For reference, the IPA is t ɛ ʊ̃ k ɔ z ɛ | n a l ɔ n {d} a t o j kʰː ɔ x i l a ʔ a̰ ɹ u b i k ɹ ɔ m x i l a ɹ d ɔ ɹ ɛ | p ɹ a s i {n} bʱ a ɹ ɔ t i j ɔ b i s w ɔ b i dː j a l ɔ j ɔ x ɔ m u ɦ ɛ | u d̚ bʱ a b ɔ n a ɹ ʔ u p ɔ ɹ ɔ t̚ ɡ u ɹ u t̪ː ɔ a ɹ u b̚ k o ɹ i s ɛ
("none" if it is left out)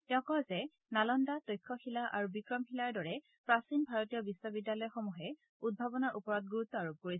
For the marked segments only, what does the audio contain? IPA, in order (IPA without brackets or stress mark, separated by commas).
d, n